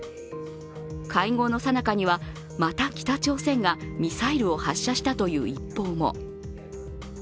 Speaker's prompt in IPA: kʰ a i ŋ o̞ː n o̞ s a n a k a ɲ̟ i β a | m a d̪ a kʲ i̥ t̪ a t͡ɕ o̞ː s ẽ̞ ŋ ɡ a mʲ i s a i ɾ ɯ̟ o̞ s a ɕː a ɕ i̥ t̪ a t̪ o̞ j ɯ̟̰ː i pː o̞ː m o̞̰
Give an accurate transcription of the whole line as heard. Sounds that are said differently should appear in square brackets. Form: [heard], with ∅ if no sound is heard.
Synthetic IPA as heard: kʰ a i ŋ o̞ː n o̞ s a n a k a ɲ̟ i β a | m a [t̪] a kʲ i̥ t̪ a t͡ɕ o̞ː s ẽ̞ ŋ ɡ a mʲ i s a i ɾ ɯ̟ o̞ [h] a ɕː a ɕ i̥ t̪ a t̪ o̞ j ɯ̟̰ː i pː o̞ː m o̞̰